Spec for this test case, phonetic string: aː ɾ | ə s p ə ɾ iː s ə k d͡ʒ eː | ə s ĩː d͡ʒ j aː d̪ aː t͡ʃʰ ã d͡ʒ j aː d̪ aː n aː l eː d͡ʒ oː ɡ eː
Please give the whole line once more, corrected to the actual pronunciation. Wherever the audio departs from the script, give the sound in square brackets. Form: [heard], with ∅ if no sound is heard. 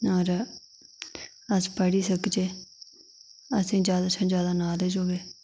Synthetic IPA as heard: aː ɾ | ə s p ə [ɽ] iː s ə k d͡ʒ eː | ə s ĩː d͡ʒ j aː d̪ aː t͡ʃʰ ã d͡ʒ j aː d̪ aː n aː l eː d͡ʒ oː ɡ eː

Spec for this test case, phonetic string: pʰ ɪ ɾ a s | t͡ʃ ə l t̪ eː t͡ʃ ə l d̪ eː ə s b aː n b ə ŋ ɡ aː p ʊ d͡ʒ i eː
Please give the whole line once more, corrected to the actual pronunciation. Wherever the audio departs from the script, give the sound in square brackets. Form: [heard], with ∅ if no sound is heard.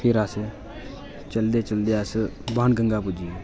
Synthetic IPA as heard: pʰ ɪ ɾ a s | t͡ʃ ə l [d̪] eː t͡ʃ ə l d̪ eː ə s b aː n [ɡ] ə ŋ ɡ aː p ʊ d͡ʒ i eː

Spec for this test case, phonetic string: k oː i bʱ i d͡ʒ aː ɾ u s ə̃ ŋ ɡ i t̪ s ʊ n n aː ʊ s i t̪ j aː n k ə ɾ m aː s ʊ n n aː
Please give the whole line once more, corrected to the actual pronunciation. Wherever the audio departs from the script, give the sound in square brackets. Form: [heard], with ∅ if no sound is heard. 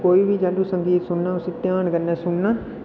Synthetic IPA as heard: k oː i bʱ i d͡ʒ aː [l] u s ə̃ ŋ ɡ [iː] t̪ s ʊ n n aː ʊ s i t̪ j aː n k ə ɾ [n] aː s ʊ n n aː

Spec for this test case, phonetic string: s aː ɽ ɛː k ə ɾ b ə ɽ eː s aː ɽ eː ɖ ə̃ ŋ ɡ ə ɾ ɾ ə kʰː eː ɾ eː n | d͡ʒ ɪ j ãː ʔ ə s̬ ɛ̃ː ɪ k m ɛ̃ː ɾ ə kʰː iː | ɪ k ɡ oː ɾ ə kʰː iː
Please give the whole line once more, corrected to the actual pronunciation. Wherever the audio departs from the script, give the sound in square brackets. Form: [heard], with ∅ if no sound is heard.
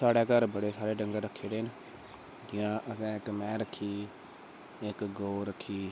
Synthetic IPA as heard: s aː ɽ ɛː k ə ɾ b ə ɽ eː s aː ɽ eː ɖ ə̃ ŋ ɡ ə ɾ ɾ ə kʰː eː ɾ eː n | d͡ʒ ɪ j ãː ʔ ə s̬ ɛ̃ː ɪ k m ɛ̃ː ɾ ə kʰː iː | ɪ k ɡ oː ɾ ə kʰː iː

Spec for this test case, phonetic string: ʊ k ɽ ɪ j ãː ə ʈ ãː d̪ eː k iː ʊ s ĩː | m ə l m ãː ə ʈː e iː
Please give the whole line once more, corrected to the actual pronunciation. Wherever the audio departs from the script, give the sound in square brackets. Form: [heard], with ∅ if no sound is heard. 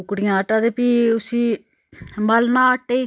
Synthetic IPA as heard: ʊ k ɽ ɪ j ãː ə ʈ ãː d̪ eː [p] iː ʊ s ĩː | m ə l [n] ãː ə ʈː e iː

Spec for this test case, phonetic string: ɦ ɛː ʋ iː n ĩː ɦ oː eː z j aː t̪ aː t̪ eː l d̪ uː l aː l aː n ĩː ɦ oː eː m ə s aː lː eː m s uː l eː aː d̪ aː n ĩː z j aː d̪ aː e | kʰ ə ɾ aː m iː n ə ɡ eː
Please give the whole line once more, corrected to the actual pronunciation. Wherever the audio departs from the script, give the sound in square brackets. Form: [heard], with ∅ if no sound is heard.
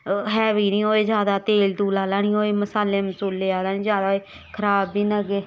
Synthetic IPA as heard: ɦ ɛː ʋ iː n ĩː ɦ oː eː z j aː [d̪] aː t̪ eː l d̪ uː l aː l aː n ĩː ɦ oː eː m ə s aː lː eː m s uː l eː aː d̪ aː n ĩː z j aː d̪ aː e | kʰ ə ɾ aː [b] iː n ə ɡ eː

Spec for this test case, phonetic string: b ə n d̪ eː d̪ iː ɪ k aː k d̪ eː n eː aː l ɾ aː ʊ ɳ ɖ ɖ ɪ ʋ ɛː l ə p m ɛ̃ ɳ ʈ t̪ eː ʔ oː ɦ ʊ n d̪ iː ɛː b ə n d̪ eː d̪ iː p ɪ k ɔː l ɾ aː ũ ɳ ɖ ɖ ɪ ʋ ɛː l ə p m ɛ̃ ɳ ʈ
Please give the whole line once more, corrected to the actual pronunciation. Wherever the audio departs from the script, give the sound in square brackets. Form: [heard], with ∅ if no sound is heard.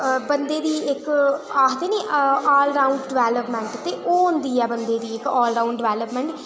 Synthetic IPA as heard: b ə n d̪ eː d̪ iː ɪ k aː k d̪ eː n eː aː l ɾ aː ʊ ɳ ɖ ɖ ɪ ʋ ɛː l ə p m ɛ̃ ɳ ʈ t̪ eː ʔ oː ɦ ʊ n d̪ iː ɛː b ə n d̪ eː d̪ iː [∅] ɪ k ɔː l ɾ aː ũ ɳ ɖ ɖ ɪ ʋ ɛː l ə p m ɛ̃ ɳ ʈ

